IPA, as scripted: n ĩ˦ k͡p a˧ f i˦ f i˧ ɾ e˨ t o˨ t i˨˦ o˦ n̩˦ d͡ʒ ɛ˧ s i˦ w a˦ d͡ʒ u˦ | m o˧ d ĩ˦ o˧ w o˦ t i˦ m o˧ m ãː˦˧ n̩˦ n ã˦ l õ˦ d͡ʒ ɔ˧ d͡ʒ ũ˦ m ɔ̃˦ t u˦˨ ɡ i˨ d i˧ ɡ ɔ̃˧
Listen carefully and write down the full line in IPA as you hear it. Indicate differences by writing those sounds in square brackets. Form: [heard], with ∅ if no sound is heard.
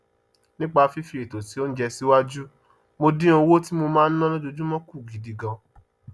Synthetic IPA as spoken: n ĩ˦ k͡p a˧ f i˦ f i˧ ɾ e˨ t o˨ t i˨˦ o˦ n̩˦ d͡ʒ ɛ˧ s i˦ w a˦ d͡ʒ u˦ | m o˧ d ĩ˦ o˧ w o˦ t i˦ m o˧ m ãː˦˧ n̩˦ n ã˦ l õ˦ d͡ʒ [o˧] d͡ʒ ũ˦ m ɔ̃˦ [k] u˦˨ ɡ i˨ d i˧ ɡ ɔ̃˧